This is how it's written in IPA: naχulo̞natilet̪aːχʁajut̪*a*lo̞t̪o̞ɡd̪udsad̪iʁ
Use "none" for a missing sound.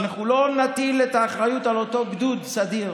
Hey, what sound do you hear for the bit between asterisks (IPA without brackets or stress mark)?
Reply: a